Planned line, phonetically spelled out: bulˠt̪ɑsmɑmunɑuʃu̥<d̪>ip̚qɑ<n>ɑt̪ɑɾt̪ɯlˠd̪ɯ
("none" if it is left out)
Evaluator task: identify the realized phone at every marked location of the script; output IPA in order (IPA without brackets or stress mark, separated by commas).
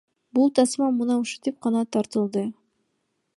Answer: t̪, n